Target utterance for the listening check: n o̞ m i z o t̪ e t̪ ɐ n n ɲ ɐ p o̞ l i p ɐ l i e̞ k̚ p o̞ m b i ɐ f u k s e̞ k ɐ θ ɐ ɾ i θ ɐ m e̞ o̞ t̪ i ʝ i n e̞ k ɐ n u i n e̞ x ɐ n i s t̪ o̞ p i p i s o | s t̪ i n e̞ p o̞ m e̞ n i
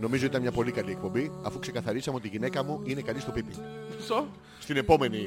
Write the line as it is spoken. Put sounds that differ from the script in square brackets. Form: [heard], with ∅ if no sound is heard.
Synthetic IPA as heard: n o̞ m i z o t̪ [i] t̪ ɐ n [m] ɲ ɐ p o̞ l i [k] ɐ l i e̞ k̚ p o̞ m b i ɐ f u k s e̞ k ɐ θ ɐ ɾ i [s] ɐ m e̞ o̞ t̪ i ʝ i n e̞ k ɐ [m] u i n e̞ [k] ɐ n i s t̪ o̞ p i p i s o | s t̪ i n e̞ p o̞ m e̞ n i